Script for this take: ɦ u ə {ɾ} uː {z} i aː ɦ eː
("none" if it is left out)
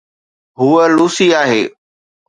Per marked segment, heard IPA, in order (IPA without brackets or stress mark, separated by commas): l, s